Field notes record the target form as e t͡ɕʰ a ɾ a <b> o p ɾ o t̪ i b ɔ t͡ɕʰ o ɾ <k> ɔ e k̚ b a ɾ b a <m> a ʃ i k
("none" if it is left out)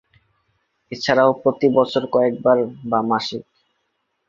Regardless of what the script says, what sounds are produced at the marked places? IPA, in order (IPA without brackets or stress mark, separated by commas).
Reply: none, k, m